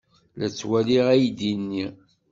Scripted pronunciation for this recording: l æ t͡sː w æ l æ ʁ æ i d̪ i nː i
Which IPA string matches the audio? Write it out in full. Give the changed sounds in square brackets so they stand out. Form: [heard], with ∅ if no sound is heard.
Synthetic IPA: l æ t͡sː w æ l [i] ʁ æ [j] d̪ i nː i